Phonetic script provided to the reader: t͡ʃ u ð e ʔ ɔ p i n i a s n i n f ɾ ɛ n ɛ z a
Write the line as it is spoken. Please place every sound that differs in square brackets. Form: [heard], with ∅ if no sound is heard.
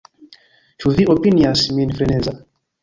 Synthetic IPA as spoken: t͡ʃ u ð [i] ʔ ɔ p i n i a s [m] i n f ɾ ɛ n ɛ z a